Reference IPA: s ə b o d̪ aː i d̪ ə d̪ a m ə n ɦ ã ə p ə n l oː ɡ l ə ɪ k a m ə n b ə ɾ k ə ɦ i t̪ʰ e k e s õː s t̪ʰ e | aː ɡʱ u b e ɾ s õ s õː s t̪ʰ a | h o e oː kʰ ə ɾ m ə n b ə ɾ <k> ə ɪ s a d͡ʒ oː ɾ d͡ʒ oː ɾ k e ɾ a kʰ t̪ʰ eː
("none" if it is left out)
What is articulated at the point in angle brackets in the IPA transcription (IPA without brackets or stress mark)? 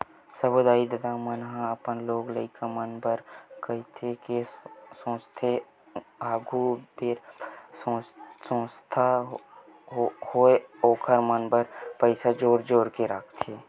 p